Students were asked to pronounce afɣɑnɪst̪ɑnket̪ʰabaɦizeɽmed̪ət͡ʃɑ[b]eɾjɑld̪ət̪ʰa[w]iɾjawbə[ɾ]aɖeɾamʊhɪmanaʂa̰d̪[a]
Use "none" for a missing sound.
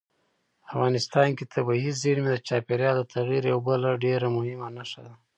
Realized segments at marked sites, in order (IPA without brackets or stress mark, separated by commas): p, ɣ, l, a